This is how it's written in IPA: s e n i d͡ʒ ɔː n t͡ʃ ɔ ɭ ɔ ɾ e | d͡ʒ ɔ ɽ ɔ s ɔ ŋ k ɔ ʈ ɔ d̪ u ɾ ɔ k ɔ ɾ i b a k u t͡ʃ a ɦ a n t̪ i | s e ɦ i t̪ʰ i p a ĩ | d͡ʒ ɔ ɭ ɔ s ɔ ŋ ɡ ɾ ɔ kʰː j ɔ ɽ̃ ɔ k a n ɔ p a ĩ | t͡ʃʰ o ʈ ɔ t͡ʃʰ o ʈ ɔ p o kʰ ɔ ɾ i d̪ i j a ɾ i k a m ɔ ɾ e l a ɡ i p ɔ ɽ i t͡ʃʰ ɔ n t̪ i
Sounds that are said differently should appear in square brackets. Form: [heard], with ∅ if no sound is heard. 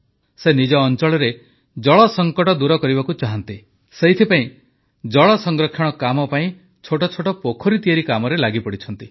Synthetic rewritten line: s e n i d͡ʒ ɔː n t͡ʃ ɔ ɭ ɔ ɾ e | d͡ʒ ɔ [ɭ] ɔ s ɔ ŋ k ɔ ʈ ɔ d̪ u ɾ ɔ k ɔ ɾ i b a k u t͡ʃ a ɦ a n t̪ i | s e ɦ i t̪ʰ i p a ĩ | d͡ʒ ɔ ɭ ɔ s ɔ ŋ ɡ ɾ ɔ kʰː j ɔ ɽ̃ ɔ k a [m] ɔ p a ĩ | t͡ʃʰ o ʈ ɔ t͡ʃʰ o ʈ ɔ p o kʰ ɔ ɾ i [t̪] i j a ɾ i k a m ɔ ɾ e l a ɡ i p ɔ ɽ i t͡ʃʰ ɔ n t̪ i

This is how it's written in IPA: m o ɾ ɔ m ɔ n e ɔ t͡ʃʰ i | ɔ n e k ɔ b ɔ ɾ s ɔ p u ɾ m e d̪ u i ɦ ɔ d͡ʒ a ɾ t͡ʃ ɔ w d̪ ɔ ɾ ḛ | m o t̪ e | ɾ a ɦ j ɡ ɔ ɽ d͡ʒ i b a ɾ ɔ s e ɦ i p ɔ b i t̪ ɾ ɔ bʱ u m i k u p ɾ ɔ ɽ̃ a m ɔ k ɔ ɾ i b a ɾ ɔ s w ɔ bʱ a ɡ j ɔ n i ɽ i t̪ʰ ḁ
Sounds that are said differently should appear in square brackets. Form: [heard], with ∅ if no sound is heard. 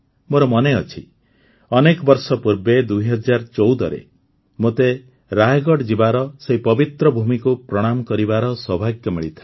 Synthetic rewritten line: m o ɾ ɔ m ɔ n e ɔ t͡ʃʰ i | ɔ n e k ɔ b ɔ ɾ s ɔ p u ɾ [b] e d̪ u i ɦ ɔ d͡ʒ a ɾ t͡ʃ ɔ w d̪ ɔ ɾ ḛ | m o t̪ e | ɾ a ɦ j ɡ ɔ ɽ d͡ʒ i b a ɾ ɔ s e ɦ i p ɔ b i t̪ ɾ ɔ bʱ u m i k u p ɾ ɔ ɽ̃ a m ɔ k ɔ ɾ i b a ɾ ɔ s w ɔ bʱ a ɡ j ɔ [m] i [ɭ] i t̪ʰ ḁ

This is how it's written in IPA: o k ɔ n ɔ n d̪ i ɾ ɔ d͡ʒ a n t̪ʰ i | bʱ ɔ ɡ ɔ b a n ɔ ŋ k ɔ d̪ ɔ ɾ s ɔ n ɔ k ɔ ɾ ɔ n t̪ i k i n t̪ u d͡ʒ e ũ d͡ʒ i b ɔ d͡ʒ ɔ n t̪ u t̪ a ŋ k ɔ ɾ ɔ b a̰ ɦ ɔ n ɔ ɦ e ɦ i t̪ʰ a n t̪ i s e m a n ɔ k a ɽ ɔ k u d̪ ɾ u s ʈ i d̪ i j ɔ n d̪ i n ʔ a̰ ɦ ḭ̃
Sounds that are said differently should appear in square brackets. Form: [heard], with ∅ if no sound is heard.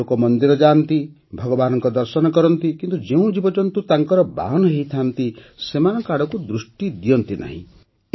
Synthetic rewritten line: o k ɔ [m] ɔ n d̪ i ɾ ɔ d͡ʒ a n [t̪] i | bʱ ɔ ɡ ɔ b a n ɔ ŋ k ɔ d̪ ɔ ɾ s ɔ n ɔ k ɔ ɾ ɔ n t̪ i k i n t̪ u d͡ʒ e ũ d͡ʒ i b ɔ d͡ʒ ɔ n t̪ u t̪ a ŋ k ɔ ɾ ɔ b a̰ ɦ ɔ n ɔ ɦ e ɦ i t̪ʰ a n t̪ i s e m a n ɔ k a ɽ ɔ k u d̪ ɾ u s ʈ i d̪ i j ɔ n [t̪] i n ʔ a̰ ɦ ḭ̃

